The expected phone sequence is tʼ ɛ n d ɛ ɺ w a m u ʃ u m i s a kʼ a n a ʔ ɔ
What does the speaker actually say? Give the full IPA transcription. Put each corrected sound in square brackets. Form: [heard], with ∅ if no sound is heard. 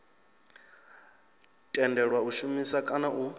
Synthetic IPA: tʼ ɛ n d ɛ ɺ w a [∅] u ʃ u m i s a kʼ a n a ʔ [u]